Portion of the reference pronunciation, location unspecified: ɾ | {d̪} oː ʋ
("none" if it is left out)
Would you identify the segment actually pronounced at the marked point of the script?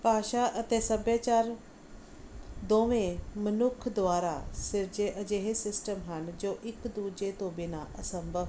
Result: d̪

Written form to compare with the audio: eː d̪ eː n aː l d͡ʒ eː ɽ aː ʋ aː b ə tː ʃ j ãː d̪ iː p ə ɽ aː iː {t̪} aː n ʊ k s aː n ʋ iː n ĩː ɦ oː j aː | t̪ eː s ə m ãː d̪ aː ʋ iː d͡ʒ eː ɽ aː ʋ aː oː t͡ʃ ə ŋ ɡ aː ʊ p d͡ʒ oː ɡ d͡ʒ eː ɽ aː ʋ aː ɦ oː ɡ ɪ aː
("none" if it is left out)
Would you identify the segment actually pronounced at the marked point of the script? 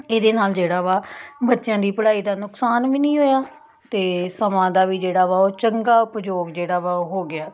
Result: d̪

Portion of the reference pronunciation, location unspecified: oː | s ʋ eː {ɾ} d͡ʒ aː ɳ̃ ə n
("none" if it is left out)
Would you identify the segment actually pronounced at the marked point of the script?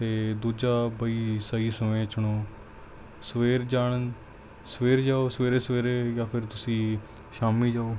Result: ɾ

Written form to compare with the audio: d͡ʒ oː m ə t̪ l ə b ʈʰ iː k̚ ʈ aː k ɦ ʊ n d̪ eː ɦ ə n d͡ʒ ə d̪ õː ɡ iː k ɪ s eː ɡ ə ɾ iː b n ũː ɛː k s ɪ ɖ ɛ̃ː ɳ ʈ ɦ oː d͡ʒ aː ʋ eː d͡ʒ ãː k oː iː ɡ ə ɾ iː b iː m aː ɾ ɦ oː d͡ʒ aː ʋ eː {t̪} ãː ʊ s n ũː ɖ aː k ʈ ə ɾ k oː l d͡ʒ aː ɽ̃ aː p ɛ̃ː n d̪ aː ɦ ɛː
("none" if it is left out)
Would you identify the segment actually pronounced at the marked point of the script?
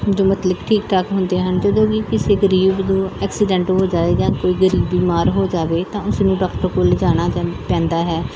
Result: t̪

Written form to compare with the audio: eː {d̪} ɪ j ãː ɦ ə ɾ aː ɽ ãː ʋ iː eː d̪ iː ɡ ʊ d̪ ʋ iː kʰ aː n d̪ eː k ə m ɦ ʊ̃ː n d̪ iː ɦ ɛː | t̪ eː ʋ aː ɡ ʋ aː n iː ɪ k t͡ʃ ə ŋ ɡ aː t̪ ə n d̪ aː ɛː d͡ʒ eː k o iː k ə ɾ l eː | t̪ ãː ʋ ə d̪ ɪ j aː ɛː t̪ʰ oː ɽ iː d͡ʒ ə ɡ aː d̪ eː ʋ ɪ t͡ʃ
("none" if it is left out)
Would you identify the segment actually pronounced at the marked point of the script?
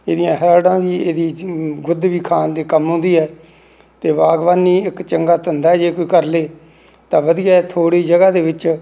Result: d̪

